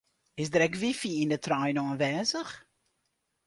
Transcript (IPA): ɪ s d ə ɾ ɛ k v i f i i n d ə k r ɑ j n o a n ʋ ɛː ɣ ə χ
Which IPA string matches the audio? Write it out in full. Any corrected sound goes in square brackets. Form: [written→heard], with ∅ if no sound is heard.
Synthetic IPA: ɪ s d ə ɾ ɛ k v i f i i n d ə [k→t] r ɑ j n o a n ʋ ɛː [ɣ→z] ə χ